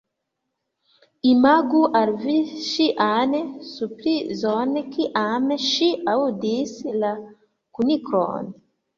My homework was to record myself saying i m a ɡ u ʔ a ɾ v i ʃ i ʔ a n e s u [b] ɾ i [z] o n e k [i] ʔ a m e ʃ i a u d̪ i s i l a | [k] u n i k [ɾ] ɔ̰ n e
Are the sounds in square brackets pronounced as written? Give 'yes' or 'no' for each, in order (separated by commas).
no, yes, yes, yes, yes